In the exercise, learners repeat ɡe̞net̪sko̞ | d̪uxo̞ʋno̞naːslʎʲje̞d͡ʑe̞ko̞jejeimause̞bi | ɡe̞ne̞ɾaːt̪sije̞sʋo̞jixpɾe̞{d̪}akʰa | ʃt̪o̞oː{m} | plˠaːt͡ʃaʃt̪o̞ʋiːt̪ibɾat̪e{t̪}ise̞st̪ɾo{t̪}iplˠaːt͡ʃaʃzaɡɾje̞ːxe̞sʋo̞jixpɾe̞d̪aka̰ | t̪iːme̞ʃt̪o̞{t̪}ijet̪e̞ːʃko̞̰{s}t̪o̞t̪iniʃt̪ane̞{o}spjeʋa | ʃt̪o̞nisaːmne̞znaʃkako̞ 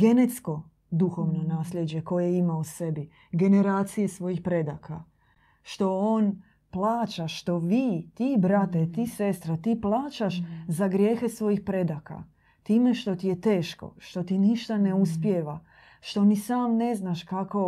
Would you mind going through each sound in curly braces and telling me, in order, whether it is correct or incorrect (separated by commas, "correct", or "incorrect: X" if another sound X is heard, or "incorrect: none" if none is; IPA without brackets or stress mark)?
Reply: correct, incorrect: n, correct, correct, correct, incorrect: ʃ, incorrect: u